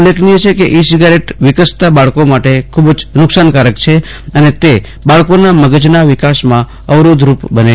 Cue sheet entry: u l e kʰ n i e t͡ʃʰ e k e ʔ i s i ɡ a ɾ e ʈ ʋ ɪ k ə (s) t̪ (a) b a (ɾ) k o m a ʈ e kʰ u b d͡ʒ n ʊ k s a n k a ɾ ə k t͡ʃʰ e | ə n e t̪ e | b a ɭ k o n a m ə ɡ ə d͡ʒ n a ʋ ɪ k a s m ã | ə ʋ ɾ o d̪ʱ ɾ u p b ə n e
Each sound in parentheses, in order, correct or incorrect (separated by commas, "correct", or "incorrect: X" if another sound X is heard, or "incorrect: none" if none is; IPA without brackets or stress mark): correct, correct, incorrect: ɭ